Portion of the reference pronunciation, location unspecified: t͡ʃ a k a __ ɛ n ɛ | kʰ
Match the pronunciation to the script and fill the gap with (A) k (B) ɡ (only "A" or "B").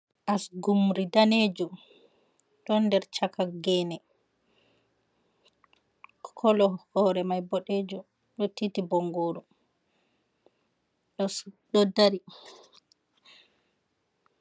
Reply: B